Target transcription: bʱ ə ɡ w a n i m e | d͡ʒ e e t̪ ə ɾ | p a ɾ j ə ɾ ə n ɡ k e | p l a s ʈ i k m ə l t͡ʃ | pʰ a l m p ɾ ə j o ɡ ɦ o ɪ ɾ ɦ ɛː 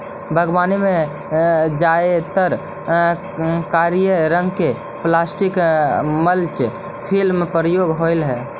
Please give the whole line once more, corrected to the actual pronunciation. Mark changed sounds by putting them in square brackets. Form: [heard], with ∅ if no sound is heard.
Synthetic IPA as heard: bʱ ə ɡ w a n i m e | d͡ʒ [a] e t̪ ə ɾ | [k] a ɾ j ə ɾ ə [ŋ] ɡ k e | p l a s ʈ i k m ə l t͡ʃ | pʰ [i] l m p ɾ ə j o ɡ ɦ o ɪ [l] ɦ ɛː